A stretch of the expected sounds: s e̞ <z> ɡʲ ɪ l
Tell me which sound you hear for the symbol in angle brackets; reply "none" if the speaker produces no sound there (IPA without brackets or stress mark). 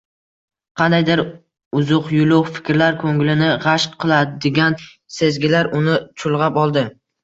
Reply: z